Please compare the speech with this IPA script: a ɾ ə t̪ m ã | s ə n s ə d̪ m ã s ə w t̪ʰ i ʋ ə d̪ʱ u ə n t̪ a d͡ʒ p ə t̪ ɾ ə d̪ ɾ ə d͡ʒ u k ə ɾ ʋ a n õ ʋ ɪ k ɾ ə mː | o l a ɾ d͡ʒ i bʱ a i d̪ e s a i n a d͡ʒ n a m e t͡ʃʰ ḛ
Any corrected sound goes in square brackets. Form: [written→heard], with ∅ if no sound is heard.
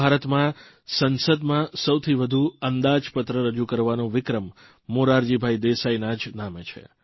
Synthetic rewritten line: a ɾ ə t̪ m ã | s ə n s ə d̪ m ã s ə w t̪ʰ i ʋ ə d̪ʱ u ə n [t̪→d̪] a d͡ʒ p ə t̪ ɾ ə [d̪→∅] ɾ ə d͡ʒ u k ə ɾ ʋ a n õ ʋ ɪ k ɾ ə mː | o [l→ɾ] a ɾ d͡ʒ i bʱ a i d̪ e s a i n a d͡ʒ n a m e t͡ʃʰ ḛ